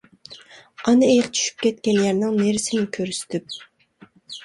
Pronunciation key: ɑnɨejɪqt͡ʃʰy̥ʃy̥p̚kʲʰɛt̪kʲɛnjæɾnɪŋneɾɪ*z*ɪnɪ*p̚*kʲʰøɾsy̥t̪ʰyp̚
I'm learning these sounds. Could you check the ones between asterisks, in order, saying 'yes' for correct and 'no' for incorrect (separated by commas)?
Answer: no, no